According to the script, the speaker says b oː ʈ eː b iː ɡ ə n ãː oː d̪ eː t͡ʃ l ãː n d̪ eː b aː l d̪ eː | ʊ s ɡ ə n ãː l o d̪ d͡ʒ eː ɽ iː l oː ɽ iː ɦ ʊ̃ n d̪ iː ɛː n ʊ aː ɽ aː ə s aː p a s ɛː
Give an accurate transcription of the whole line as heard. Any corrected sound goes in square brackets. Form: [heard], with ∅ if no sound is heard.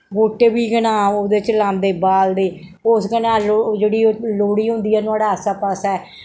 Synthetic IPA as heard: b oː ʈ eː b iː ɡ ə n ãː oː d̪ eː t͡ʃ l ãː n d̪ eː b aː l d̪ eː | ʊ s ɡ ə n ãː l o [∅] d͡ʒ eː ɽ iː l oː ɽ iː ɦ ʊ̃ n d̪ iː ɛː n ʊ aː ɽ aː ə s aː p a s ɛː

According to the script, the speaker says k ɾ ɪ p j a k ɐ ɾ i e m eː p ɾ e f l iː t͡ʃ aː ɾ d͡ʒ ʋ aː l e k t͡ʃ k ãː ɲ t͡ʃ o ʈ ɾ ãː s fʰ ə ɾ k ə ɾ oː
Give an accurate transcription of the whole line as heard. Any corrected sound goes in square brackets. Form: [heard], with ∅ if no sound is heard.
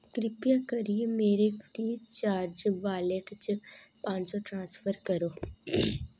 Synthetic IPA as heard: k ɾ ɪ p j a k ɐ ɾ i e m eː [∅] ɾ e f [ɾ] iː t͡ʃ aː ɾ d͡ʒ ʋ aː l e k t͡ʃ [p] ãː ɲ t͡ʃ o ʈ ɾ ãː s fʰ ə ɾ k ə ɾ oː

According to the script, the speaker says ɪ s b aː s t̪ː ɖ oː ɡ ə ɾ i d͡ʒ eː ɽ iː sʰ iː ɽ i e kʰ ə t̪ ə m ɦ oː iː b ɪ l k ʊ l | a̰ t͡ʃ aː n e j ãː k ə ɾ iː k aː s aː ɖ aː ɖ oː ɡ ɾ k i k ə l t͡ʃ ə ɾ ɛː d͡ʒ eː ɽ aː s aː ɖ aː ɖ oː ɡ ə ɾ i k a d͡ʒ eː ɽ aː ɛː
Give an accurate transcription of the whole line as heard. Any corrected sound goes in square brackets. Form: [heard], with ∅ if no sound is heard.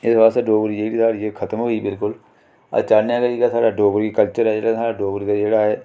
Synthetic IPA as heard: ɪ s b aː s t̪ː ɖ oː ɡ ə ɾ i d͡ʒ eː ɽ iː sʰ [aː] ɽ i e kʰ ə t̪ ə m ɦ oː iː b ɪ l k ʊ l | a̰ t͡ʃ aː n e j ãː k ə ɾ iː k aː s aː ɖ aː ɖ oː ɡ ɾ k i k ə l t͡ʃ ə ɾ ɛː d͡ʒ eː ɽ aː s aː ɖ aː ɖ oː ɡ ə ɾ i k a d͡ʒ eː ɽ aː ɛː

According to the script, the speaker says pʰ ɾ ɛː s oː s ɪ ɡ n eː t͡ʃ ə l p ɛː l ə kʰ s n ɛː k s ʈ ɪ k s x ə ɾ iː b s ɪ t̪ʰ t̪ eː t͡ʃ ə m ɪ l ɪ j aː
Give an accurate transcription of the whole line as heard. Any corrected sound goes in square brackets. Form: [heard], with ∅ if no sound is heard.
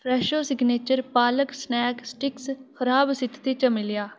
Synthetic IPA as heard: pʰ ɾ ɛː [ʃ] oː s ɪ ɡ n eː t͡ʃ ə [ɾ] p [aː] l ə [k] s n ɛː k s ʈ ɪ k s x ə ɾ [aː] b s ɪ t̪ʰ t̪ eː t͡ʃ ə m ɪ l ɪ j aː

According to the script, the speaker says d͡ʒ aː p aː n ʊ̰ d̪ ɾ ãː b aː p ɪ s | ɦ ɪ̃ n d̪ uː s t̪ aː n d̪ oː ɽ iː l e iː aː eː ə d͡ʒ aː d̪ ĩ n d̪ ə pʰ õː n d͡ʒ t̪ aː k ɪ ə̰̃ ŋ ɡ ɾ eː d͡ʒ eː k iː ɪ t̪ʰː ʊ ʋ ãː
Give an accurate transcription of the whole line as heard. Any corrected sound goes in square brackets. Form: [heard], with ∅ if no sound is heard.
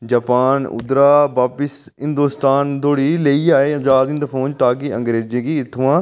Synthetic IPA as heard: d͡ʒ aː p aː n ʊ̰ d̪ ɾ [aː] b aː p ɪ s | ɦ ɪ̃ n d̪ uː s t̪ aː n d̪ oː ɽ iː l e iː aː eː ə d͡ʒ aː d̪ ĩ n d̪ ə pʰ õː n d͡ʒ t̪ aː k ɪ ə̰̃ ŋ ɡ ɾ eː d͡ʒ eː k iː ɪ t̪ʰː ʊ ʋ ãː

